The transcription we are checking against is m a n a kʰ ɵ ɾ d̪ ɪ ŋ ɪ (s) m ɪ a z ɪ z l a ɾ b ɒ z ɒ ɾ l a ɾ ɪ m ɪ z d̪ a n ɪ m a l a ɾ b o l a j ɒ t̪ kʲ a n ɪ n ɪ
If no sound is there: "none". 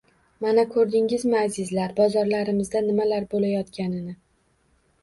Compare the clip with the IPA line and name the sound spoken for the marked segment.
z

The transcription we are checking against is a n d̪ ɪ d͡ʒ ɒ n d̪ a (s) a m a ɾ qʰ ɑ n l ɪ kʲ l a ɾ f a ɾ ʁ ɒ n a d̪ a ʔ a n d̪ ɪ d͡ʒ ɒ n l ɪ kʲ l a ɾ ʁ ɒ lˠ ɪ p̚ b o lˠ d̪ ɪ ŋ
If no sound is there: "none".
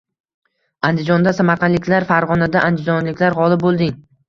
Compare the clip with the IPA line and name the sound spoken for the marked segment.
s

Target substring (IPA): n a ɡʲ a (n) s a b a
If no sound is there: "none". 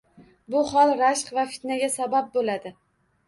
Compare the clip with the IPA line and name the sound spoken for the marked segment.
none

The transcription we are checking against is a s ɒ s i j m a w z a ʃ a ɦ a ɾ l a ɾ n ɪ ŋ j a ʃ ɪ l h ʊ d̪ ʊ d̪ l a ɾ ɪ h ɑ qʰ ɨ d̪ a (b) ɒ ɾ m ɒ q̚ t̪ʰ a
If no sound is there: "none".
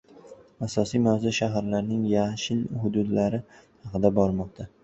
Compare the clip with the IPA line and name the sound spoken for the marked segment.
b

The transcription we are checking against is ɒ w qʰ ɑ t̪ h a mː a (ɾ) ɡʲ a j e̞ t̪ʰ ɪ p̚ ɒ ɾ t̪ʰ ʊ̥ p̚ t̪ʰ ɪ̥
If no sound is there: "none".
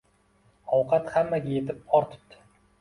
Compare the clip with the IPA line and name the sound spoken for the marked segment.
none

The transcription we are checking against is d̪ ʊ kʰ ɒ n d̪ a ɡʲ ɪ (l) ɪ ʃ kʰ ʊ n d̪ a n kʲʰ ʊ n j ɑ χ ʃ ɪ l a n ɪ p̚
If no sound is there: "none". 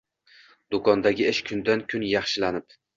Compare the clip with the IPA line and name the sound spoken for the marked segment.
none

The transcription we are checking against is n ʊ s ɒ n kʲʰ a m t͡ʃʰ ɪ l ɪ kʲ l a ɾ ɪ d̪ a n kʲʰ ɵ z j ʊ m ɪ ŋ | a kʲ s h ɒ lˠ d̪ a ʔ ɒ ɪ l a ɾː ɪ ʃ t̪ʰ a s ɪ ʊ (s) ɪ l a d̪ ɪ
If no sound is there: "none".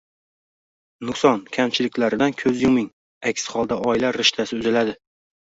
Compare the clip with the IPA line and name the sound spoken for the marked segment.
z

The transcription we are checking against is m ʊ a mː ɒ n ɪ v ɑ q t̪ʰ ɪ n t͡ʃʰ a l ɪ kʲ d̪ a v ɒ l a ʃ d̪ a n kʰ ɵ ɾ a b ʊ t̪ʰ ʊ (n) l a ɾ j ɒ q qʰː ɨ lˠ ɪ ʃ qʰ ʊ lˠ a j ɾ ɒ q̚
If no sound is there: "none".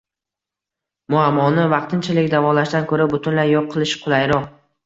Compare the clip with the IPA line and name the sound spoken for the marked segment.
n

